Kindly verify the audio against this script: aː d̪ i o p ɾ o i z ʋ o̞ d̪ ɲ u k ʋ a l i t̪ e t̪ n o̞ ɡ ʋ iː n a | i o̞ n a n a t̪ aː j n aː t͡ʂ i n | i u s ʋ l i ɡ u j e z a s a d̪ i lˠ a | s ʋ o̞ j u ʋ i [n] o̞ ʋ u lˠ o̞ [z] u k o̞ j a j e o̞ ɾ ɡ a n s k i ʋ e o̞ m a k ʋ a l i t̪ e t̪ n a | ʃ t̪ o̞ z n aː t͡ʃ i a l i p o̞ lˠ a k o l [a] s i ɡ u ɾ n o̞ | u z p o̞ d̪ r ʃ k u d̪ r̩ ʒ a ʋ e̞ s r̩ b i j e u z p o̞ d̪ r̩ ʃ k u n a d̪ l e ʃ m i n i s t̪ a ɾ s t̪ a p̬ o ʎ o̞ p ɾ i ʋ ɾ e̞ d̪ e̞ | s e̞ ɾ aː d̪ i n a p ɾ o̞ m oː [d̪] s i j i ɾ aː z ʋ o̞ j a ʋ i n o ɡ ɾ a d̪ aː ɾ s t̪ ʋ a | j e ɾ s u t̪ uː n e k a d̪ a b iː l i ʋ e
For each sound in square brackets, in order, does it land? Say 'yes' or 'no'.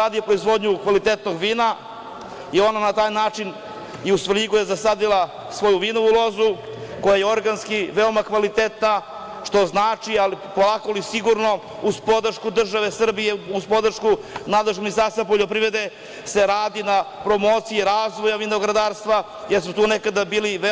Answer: yes, yes, no, no

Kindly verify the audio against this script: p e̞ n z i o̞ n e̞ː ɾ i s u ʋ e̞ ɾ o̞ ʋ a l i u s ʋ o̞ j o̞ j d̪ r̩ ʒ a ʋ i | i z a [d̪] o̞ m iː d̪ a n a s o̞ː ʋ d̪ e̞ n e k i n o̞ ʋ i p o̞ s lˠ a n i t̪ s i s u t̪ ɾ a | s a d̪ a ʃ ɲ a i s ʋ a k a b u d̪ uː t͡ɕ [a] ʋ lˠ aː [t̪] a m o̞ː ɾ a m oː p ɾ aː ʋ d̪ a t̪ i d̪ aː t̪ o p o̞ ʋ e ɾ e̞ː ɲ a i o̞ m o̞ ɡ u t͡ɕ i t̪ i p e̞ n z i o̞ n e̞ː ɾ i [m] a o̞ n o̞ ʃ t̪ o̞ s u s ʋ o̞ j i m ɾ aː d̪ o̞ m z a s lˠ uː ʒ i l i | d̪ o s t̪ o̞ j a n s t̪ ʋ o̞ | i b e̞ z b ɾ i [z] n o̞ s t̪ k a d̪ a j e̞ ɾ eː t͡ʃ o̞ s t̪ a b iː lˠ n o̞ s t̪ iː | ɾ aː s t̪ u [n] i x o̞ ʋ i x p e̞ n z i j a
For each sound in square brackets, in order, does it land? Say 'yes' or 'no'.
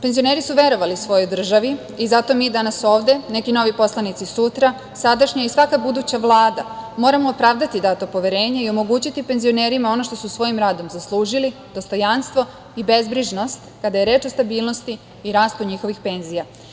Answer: no, yes, no, yes, no, no

